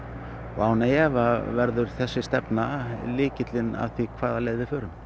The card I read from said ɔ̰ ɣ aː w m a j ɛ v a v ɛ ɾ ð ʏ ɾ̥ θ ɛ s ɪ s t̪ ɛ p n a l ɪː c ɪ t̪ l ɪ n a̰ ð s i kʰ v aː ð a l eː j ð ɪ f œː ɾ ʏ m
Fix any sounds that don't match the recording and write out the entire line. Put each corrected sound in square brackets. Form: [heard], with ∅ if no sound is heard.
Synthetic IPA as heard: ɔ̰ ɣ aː w [n] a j ɛ v a v ɛ ɾ ð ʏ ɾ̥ θ ɛ [sː] ɪ s t̪ ɛ p n a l ɪː c ɪ t̪ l ɪ n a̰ ð [θ] i kʰ v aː ð a l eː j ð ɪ f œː ɾ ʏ m